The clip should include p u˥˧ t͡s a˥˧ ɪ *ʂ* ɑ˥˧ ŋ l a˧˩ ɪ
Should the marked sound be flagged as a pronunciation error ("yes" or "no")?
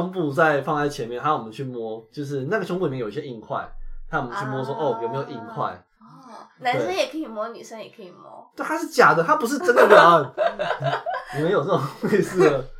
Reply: yes